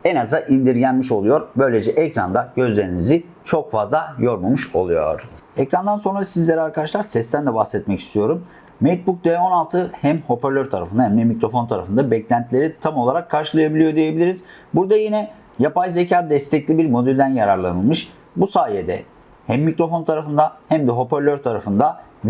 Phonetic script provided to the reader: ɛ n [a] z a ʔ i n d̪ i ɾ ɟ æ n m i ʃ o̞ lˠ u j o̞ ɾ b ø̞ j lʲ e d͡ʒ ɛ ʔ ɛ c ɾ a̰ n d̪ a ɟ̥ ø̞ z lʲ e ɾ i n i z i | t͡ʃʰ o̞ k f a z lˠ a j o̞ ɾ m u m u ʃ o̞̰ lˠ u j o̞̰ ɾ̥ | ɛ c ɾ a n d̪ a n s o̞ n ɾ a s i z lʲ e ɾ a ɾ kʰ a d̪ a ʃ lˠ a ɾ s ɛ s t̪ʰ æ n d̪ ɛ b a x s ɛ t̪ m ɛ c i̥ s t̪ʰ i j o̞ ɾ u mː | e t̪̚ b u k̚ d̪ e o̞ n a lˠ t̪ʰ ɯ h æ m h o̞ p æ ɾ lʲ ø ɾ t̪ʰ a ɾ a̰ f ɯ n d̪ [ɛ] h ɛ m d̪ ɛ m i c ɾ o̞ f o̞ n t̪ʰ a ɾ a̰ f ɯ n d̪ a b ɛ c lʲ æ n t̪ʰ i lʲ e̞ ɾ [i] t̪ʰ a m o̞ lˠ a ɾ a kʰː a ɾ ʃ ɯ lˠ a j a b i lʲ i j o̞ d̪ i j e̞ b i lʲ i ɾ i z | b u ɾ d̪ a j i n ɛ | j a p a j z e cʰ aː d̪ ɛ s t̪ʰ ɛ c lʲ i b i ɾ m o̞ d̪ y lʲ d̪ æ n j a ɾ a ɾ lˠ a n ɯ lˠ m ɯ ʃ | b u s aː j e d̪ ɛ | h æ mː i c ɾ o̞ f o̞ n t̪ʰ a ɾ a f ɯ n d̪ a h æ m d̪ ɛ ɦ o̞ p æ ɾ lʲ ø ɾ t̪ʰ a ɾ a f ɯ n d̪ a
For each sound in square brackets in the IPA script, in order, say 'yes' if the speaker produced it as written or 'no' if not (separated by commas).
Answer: yes, no, yes